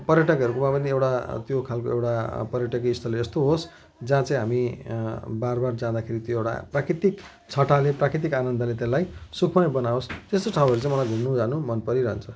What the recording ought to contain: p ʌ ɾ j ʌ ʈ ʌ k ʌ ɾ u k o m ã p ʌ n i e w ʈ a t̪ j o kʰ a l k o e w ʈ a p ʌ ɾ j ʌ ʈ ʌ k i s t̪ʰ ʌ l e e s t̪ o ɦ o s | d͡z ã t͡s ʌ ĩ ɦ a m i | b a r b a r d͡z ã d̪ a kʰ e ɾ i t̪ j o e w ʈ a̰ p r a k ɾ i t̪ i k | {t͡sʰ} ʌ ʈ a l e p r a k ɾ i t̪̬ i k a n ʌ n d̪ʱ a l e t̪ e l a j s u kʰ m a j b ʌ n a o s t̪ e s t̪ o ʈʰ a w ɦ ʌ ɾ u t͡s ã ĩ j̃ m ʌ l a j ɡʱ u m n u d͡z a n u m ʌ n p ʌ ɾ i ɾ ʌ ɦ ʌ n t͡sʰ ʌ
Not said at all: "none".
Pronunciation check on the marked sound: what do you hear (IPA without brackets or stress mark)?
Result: t͡sʰ